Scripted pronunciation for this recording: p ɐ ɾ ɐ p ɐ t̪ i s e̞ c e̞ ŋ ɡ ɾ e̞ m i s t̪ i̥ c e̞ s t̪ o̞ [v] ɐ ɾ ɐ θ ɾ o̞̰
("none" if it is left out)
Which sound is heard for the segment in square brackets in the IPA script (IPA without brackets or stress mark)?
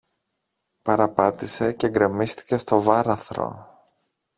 v